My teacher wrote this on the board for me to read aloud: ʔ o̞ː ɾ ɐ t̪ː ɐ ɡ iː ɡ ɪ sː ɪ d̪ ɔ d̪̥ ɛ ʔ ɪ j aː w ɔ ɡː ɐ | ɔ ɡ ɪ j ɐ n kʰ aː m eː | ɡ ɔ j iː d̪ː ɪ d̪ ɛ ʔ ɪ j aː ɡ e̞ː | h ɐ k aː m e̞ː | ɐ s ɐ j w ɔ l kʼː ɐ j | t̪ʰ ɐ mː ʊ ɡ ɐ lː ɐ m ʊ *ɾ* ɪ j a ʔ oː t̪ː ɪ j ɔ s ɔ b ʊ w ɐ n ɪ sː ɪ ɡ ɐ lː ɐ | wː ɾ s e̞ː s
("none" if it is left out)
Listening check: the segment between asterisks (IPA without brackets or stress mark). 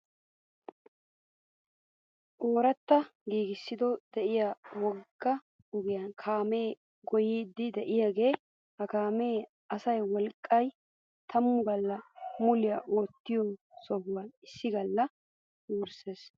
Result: l